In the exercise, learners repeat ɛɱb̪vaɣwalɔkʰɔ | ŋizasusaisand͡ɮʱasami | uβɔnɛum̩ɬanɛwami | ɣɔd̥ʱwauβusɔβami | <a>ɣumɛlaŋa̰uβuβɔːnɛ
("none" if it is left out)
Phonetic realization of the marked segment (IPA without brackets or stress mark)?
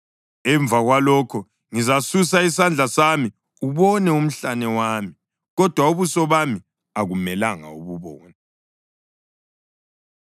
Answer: a